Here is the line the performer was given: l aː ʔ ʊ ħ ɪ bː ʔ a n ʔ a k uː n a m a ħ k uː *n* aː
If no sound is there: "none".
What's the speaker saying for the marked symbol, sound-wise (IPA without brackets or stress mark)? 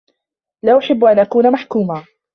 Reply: m